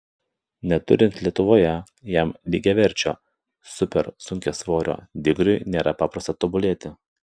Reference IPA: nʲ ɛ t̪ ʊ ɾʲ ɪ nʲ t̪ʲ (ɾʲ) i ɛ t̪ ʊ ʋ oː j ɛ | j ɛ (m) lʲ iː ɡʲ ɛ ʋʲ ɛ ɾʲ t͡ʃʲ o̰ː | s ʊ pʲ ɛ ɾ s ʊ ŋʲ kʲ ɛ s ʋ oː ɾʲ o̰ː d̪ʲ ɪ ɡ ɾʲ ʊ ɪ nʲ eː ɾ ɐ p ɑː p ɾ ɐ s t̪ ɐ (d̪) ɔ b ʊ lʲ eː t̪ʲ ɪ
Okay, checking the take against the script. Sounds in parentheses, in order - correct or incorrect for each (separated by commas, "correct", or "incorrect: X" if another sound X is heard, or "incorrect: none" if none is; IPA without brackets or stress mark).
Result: incorrect: lʲ, correct, incorrect: t̪